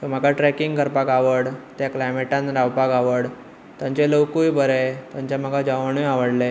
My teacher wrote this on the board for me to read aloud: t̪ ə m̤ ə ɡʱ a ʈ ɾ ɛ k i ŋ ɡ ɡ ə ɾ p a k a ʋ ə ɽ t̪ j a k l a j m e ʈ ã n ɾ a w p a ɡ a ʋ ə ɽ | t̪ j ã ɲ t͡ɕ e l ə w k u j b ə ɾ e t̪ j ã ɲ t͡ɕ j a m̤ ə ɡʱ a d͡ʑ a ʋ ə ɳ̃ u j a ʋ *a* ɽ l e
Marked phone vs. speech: incorrect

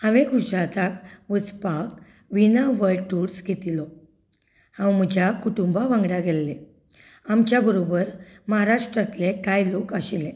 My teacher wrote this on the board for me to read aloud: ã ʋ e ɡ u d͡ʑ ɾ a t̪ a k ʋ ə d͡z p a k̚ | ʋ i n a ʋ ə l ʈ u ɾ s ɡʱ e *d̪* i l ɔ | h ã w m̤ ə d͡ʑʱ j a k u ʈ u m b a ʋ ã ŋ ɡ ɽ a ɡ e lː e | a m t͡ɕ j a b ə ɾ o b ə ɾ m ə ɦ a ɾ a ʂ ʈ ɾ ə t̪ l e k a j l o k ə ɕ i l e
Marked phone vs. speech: incorrect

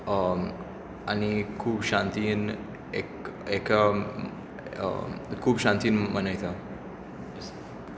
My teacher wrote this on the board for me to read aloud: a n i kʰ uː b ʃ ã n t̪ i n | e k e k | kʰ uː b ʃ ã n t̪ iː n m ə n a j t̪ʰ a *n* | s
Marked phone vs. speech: incorrect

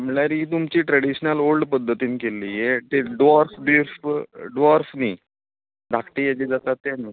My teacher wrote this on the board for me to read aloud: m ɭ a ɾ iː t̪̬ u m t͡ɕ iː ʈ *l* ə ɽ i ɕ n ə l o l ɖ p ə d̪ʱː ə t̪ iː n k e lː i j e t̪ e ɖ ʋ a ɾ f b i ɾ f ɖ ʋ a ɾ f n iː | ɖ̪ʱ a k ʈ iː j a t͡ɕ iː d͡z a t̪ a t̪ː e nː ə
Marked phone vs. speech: incorrect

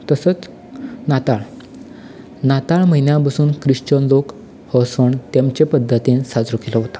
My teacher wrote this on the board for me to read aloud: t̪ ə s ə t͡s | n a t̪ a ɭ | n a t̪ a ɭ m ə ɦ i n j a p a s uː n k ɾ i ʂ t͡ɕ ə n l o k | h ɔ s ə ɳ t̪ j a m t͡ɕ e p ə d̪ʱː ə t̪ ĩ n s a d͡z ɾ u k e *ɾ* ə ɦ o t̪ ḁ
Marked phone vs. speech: incorrect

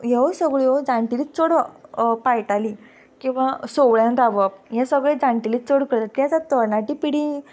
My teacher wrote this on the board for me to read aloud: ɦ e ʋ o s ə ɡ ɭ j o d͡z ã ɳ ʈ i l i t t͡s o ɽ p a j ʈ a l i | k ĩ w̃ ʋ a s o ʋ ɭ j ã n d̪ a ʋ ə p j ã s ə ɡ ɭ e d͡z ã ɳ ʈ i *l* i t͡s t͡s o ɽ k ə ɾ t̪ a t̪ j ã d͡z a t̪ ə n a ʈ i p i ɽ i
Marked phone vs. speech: correct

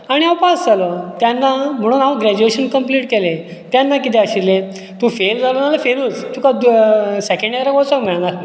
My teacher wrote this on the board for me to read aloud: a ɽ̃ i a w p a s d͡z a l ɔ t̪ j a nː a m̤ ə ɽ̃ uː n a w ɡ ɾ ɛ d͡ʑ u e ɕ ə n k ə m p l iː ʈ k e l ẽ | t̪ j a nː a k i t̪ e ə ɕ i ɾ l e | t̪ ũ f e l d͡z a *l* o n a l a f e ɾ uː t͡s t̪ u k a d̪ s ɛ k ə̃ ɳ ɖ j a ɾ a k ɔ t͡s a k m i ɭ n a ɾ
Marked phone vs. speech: correct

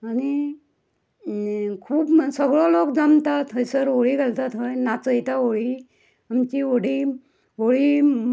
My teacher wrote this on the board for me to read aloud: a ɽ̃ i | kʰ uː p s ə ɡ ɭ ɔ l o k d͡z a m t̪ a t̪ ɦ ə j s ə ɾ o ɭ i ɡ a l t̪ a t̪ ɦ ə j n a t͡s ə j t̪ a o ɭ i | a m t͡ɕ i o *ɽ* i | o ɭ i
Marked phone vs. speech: correct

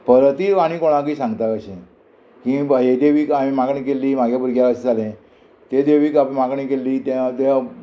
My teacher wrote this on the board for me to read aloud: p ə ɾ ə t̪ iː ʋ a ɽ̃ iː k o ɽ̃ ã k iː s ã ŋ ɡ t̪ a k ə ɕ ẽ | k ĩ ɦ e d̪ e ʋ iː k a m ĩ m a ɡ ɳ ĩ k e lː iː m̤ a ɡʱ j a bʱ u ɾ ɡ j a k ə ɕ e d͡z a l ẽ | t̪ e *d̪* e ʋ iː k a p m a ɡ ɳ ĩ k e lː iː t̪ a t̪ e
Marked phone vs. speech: correct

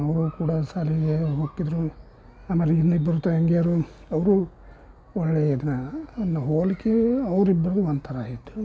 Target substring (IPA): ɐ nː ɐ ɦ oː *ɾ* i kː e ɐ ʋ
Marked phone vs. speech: incorrect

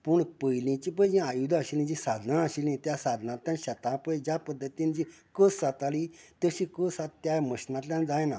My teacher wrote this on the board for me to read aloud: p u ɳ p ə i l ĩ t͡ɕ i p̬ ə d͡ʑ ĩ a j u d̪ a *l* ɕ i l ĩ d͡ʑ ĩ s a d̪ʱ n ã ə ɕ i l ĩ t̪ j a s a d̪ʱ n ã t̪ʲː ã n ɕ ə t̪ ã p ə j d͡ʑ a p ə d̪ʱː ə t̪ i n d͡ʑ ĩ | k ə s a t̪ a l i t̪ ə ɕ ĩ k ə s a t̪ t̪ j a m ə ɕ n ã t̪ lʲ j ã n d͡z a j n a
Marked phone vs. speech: incorrect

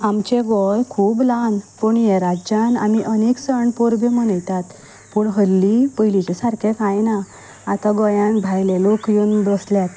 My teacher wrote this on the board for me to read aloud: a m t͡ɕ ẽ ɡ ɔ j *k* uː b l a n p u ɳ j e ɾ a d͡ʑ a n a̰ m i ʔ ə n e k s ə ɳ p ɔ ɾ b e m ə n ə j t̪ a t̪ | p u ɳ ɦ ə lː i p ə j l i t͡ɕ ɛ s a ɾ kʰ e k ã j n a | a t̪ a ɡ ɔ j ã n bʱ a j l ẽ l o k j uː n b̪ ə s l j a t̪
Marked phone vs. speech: incorrect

